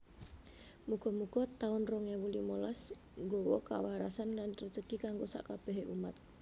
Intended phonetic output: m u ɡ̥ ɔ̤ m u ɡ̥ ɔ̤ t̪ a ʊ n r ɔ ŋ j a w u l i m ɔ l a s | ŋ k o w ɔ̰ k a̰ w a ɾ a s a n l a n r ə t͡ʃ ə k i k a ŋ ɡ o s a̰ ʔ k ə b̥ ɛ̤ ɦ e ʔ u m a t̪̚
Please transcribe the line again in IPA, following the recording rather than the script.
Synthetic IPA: m u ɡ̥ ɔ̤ m u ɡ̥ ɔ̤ t̪ a ʊ n r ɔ ŋ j a w u l i m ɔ l a s | ŋ ɡ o w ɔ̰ k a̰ w a ɾ a s a n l a n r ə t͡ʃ ə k i k a ŋ ɡ o s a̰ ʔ k a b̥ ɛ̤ ɦ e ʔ u m a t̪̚